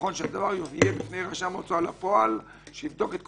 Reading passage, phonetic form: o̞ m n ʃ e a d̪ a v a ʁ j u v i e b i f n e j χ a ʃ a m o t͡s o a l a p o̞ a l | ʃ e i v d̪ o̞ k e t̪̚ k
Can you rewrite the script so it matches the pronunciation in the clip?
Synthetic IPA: o̞ n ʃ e a d̪ a v a ʁ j o v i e b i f n e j ʁ a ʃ a m o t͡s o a l a p o̞ a l | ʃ e i v d̪ o̞ k e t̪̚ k